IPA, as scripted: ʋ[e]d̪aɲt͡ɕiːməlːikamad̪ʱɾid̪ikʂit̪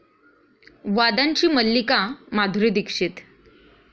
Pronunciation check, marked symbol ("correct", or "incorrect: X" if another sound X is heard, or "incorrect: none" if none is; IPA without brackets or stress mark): incorrect: a